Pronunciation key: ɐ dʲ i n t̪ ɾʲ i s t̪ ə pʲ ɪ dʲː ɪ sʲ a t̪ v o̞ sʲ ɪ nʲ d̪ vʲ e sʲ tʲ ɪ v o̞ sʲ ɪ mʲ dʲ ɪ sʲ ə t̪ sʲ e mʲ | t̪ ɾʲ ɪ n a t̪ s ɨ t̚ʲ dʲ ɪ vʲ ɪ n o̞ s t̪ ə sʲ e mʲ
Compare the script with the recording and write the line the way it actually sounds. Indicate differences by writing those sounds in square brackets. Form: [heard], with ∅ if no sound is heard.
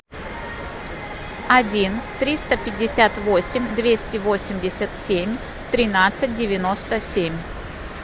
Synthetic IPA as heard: ɐ dʲ i n t̪ ɾʲ i s t̪ ə pʲ ɪ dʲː ɪ sʲ a t̪ v o̞ sʲ ɪ [mʲ] d̪ vʲ e sʲ tʲ ɪ v o̞ sʲ ɪ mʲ dʲ ɪ sʲ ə t̪ sʲ e mʲ | t̪ ɾʲ ɪ n a t̪ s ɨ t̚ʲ dʲ ɪ vʲ ɪ n o̞ s t̪ ə sʲ e mʲ